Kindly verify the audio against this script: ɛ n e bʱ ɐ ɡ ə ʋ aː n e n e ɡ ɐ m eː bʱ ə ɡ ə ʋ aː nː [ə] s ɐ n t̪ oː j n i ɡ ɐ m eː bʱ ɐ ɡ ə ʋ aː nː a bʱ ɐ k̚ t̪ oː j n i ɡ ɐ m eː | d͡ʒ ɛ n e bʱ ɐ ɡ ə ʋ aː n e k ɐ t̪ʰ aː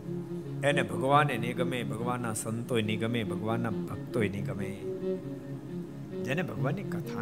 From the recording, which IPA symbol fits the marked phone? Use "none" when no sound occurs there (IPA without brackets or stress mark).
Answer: a